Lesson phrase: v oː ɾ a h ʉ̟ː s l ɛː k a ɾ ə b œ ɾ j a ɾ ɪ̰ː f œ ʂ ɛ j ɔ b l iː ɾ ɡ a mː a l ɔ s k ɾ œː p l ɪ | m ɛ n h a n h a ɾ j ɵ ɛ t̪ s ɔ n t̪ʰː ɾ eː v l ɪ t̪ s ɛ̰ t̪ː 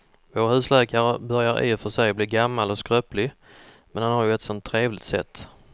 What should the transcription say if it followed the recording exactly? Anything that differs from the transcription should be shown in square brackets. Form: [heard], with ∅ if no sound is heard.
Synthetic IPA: v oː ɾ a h ʉ̟ː s l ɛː k a ɾ ə b œ ɾ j a ɾ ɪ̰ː f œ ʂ ɛ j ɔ b l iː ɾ ɡ a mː a l ɔ s k ɾ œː p l ɪ | m ɛ n h a n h a ɾ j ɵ ɛ t̪ s ɔ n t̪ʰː ɾ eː v l ɪ t̪ s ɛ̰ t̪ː